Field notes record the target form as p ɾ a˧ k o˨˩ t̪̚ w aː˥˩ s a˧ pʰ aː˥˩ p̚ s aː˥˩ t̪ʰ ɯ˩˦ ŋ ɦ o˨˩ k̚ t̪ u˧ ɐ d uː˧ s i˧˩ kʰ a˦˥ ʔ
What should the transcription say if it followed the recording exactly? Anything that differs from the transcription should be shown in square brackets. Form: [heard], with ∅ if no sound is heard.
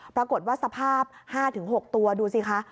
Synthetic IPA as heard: p ɾ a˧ k o˨˩ t̪̚ w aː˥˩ s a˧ pʰ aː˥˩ p̚ [h] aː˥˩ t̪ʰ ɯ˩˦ ŋ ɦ o˨˩ k̚ t̪ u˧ ɐ d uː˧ s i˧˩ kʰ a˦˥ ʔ